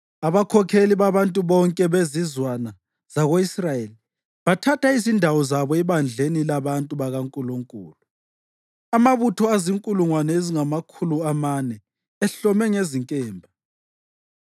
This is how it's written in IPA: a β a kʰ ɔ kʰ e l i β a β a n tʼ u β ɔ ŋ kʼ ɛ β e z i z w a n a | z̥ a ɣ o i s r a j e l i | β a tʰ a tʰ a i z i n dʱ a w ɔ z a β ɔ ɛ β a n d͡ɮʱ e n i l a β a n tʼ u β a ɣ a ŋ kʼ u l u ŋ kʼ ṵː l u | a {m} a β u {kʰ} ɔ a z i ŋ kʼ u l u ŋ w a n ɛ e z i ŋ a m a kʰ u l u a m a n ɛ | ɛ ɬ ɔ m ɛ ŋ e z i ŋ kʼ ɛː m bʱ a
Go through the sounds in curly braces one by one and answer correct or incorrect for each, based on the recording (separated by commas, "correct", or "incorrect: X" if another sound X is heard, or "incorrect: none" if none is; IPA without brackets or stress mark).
correct, incorrect: tʰ